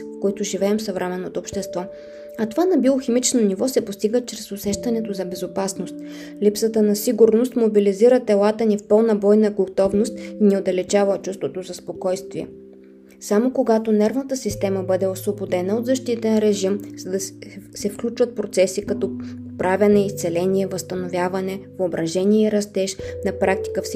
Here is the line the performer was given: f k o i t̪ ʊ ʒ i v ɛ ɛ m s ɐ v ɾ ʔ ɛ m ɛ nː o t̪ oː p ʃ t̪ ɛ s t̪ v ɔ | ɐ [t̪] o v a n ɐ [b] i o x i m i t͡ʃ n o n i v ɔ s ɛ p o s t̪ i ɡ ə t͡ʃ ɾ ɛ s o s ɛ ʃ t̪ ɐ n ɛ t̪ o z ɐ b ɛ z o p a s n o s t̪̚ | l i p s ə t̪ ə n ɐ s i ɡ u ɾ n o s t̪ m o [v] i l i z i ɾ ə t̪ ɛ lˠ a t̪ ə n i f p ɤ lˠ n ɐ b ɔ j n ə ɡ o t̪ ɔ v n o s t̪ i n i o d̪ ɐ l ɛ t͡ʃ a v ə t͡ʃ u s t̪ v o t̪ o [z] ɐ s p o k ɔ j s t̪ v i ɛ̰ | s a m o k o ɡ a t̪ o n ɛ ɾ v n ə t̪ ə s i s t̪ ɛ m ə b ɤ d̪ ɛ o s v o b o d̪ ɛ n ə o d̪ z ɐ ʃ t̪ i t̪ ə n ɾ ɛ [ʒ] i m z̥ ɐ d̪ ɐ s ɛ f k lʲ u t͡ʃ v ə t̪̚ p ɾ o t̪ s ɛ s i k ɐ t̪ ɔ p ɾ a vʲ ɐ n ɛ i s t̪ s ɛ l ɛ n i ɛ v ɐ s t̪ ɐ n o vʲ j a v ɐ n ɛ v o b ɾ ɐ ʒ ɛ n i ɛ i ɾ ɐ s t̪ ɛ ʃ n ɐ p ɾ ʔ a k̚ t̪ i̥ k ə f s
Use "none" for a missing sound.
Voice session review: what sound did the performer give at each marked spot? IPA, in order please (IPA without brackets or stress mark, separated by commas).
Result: t̪, b, b, z, ʒ